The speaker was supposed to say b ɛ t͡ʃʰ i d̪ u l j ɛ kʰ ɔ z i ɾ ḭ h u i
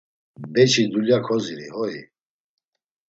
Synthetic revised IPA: b ɛ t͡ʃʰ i d̪ u l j a kʰ ɔ z i ɾ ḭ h ɔ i